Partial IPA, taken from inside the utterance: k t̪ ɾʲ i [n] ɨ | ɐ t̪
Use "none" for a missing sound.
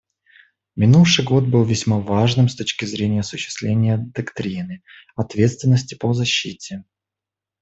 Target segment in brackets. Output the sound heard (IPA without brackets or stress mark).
n